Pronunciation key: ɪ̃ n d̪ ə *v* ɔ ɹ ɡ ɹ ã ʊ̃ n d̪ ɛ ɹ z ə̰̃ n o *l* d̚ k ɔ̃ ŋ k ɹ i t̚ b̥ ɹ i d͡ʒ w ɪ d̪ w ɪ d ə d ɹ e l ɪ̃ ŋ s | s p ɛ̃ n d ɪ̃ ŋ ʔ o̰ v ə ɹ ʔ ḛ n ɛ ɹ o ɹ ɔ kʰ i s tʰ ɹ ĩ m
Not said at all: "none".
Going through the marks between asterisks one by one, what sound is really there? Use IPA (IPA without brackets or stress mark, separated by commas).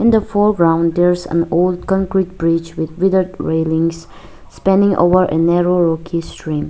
f, l